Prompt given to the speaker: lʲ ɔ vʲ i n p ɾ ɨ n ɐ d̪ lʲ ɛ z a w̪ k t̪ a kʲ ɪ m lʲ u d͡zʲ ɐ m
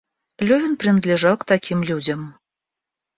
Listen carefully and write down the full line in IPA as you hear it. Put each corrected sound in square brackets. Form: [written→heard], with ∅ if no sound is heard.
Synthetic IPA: lʲ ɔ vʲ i n p ɾ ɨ n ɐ d̪ lʲ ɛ [z→ʐ] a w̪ k t̪ a kʲ [ɪ→i] m lʲ u d͡zʲ ɐ m